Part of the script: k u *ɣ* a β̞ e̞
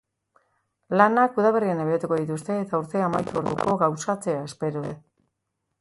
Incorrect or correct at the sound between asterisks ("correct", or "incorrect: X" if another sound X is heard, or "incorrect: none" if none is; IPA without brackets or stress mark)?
incorrect: ð